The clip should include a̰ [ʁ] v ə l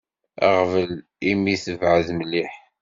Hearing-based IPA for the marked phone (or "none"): ʁ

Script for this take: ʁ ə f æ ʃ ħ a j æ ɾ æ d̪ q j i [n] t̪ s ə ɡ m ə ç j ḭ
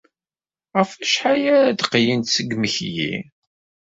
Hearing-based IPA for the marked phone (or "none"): n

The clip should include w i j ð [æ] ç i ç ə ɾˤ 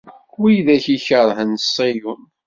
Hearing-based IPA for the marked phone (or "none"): æ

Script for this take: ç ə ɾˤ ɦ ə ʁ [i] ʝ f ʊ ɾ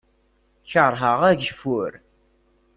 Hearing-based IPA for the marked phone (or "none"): æ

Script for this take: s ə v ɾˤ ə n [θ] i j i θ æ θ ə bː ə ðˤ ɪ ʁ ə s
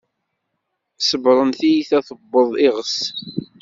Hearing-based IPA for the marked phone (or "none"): θ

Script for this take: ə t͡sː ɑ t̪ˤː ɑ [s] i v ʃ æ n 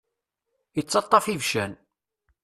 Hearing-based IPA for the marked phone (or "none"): f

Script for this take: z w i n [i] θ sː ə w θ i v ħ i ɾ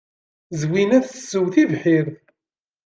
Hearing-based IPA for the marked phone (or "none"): æ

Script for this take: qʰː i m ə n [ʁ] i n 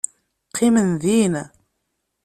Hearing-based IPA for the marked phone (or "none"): ð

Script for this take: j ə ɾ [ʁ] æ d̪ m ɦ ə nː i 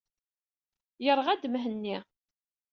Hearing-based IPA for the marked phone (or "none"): ʁ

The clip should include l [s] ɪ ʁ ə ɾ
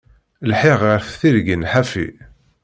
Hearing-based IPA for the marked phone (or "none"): ħ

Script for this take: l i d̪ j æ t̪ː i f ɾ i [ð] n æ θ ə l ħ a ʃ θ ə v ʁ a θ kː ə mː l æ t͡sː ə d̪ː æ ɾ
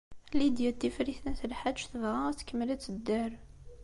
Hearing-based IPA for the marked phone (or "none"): θ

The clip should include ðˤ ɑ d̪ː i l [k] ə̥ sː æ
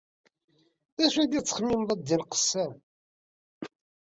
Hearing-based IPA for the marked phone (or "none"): q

